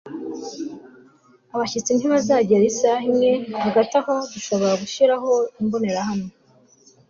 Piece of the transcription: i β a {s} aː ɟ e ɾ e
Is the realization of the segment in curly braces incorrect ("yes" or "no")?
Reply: yes